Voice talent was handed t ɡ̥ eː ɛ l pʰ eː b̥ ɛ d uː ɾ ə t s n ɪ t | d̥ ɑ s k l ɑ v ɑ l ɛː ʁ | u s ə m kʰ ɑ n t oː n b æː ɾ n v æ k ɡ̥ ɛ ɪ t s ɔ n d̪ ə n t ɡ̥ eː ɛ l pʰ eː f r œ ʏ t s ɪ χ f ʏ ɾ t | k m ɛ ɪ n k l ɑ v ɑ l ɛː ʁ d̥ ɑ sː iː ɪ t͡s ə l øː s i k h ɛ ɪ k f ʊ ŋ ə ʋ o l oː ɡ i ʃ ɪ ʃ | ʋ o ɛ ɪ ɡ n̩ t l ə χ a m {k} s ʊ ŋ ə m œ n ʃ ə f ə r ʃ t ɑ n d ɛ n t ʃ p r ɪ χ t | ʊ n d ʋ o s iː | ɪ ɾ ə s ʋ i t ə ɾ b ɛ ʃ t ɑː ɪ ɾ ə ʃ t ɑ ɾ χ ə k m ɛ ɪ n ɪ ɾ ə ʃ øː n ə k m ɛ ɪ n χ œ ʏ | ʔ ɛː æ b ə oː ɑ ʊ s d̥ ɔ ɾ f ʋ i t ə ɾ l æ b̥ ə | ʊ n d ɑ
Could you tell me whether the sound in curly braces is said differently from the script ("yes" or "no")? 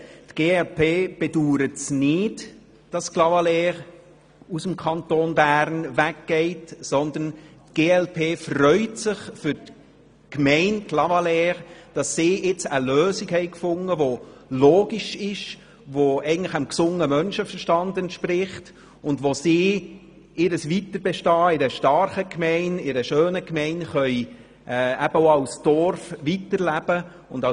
no